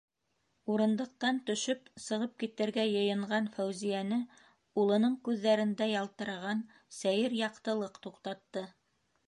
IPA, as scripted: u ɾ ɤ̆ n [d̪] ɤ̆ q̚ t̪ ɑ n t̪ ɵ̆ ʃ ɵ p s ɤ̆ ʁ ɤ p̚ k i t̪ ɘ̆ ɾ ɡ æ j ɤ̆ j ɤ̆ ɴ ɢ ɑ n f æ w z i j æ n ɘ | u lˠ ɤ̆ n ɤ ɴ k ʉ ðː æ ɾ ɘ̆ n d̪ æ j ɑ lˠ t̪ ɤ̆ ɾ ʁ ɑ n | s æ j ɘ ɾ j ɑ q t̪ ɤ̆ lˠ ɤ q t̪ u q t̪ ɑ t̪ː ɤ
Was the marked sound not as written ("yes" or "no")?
no